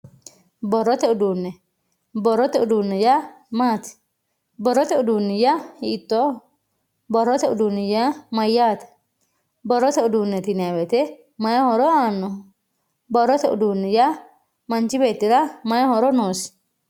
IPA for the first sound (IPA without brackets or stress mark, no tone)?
b